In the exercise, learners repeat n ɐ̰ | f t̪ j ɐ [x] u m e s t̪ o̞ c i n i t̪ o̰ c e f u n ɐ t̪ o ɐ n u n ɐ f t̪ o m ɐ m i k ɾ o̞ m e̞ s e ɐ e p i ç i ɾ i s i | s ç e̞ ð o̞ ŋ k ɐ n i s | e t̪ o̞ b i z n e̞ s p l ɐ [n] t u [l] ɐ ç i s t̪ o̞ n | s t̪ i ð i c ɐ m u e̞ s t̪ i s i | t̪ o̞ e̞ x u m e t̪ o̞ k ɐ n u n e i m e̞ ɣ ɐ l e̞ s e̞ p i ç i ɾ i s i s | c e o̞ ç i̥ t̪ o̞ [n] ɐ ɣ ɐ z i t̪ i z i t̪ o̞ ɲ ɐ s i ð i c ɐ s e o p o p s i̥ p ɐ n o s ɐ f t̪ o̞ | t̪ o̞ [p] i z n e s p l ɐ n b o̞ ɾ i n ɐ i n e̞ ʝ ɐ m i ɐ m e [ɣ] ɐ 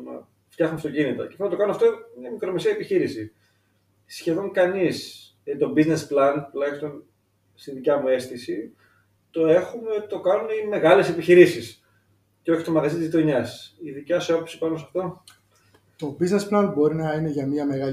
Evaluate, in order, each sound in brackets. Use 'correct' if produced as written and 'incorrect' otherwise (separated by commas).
correct, correct, correct, incorrect, incorrect, correct